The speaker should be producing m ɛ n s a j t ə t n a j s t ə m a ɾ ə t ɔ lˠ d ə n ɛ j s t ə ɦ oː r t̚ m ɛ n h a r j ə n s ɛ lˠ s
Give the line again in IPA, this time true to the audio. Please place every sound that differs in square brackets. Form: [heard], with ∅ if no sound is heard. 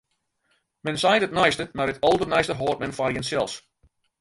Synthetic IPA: m ɛ n s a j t ə t n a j s t ə m a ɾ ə t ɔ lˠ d ə n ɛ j s t ə ɦ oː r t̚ m ɛ n [f] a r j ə n s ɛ lˠ s